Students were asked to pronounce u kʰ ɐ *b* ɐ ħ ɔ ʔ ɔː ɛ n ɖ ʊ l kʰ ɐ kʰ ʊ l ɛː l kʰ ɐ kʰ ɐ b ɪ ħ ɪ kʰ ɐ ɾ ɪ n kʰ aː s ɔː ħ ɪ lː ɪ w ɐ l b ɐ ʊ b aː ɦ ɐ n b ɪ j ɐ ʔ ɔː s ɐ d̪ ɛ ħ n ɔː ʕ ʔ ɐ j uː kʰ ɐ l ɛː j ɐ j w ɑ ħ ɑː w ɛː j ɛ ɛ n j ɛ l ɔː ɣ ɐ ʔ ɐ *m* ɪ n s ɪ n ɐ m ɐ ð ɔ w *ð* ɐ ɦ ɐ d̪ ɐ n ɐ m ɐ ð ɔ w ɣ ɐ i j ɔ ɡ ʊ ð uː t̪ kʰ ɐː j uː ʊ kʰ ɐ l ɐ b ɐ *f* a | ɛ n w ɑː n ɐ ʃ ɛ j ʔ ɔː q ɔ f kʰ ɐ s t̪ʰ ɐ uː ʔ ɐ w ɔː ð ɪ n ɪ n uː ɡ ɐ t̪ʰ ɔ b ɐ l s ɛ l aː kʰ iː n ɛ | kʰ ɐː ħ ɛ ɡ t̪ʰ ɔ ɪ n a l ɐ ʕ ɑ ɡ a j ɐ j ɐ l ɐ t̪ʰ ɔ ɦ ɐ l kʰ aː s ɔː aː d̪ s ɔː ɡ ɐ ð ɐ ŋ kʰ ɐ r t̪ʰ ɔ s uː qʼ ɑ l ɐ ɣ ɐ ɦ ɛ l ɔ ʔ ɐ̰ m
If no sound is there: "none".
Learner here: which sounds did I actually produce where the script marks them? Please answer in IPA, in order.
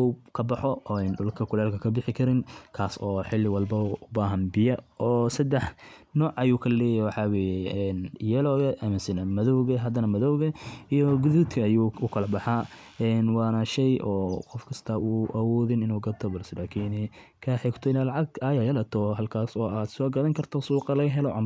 b, m, ɣ, ħ

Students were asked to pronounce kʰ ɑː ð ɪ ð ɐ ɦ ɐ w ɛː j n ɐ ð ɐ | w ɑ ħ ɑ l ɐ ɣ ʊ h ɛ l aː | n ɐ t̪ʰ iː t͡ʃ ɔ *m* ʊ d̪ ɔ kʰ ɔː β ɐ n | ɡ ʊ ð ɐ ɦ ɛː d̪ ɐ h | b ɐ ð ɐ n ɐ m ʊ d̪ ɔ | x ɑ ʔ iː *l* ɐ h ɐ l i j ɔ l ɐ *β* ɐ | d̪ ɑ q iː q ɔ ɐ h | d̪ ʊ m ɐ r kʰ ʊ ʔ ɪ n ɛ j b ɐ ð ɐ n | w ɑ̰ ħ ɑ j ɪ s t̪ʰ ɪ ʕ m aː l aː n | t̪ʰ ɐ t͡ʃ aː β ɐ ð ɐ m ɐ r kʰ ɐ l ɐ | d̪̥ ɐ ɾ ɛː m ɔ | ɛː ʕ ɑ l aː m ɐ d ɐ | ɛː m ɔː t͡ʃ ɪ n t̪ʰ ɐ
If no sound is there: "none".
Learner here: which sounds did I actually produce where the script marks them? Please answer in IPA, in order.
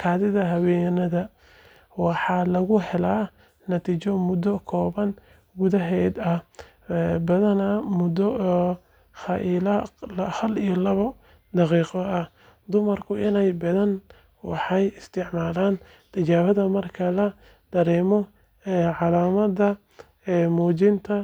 m, l, β

